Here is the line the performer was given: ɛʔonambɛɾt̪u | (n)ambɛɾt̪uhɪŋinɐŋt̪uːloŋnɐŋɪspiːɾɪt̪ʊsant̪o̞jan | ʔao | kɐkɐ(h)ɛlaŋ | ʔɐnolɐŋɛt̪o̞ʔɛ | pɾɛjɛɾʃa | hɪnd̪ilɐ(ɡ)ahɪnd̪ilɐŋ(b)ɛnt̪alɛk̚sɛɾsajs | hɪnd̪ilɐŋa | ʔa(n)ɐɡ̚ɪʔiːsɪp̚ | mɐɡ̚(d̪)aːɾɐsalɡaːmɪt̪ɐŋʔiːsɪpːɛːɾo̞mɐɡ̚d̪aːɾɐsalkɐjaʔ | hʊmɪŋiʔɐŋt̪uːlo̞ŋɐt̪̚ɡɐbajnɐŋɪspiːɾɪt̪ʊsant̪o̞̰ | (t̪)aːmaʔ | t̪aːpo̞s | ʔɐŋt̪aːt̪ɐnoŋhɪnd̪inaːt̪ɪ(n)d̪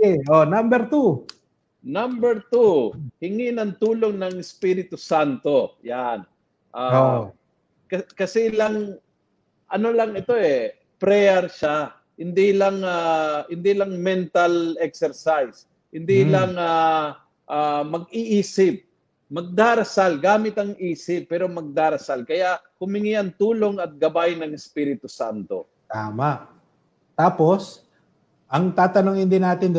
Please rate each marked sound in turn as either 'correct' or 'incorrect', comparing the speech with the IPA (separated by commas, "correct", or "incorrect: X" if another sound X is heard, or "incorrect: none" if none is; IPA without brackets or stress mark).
correct, incorrect: s, incorrect: ŋ, incorrect: m, incorrect: m, correct, correct, correct